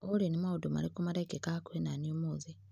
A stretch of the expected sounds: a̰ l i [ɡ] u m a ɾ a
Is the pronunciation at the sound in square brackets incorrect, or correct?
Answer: incorrect